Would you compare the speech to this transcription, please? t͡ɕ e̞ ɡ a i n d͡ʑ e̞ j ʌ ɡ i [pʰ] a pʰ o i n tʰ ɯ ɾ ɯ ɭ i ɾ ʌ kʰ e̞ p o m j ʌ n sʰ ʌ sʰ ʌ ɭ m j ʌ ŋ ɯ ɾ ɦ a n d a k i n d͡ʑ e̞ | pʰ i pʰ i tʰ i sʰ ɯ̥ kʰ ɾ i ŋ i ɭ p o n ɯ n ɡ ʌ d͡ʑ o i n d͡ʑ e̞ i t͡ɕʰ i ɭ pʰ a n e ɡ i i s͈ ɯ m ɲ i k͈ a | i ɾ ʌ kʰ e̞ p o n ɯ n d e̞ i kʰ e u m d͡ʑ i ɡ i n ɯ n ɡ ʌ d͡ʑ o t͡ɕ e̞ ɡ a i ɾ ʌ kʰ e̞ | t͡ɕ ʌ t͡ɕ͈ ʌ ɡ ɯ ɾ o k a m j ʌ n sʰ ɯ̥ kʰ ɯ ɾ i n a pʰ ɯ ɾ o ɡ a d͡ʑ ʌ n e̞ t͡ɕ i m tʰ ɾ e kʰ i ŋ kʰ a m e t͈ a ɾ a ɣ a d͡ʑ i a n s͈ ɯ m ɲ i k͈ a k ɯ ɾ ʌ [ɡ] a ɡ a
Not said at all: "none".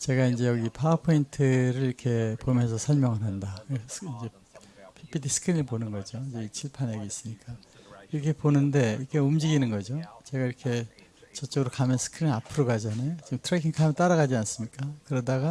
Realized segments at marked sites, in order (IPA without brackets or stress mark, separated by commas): pʰ, d